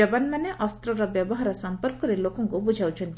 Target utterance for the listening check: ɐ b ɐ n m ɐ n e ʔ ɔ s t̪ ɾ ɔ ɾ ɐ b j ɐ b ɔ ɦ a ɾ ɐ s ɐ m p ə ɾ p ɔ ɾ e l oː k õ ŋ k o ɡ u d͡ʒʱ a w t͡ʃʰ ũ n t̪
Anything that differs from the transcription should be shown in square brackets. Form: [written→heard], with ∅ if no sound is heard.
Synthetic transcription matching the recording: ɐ b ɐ n m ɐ n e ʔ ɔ s t̪ ɾ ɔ ɾ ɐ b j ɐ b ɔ ɦ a ɾ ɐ s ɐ m p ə ɾ [p→k] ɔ ɾ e l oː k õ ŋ k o [ɡ→b] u d͡ʒʱ a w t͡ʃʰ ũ n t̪